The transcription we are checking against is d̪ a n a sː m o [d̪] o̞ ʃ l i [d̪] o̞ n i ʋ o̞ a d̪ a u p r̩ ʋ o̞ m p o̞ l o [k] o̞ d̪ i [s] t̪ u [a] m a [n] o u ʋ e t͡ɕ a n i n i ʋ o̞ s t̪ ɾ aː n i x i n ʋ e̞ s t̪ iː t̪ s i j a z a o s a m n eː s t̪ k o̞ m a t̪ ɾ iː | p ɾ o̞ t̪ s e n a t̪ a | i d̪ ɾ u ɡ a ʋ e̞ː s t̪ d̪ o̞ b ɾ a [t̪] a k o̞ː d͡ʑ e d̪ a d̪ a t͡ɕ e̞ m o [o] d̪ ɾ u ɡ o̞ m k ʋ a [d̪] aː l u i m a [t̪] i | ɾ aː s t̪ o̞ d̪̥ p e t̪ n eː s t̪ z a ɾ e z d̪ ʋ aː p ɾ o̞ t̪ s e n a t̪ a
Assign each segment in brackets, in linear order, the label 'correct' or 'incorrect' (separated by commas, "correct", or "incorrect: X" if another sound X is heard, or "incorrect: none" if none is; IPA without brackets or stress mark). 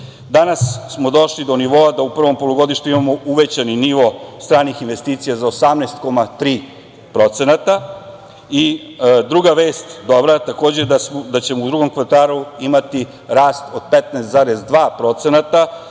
correct, correct, incorrect: ɡ, incorrect: ʃ, incorrect: i, incorrect: m, correct, incorrect: u, incorrect: t̪, correct